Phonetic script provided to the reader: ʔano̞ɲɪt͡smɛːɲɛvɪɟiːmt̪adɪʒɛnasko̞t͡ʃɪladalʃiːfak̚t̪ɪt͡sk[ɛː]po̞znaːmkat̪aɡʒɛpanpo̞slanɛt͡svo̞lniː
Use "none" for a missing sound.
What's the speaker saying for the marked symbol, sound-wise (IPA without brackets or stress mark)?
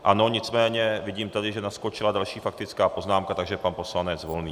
aː